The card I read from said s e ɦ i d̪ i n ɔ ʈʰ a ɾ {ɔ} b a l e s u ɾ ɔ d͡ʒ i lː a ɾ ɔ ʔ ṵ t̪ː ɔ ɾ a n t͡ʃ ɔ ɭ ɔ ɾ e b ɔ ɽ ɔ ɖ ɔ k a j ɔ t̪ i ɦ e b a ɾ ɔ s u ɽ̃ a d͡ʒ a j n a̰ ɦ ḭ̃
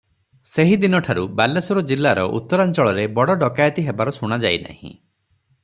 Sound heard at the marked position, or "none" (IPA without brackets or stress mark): u